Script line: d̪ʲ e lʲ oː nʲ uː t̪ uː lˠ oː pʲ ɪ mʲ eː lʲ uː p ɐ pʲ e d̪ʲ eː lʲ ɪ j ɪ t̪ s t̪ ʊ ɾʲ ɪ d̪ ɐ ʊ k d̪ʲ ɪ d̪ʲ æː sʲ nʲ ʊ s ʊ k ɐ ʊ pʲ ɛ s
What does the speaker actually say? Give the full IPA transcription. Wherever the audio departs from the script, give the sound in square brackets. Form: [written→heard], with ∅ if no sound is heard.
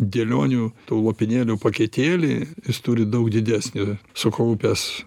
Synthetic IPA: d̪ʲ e lʲ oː nʲ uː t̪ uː lˠ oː pʲ ɪ [mʲ→nʲ] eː lʲ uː p ɐ [pʲ→kʲ] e [d̪ʲ→t̪ʲ] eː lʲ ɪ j ɪ [t̪→∅] s t̪ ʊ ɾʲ ɪ d̪ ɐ ʊ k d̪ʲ ɪ d̪ʲ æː sʲ nʲ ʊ s ʊ k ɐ ʊ pʲ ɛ s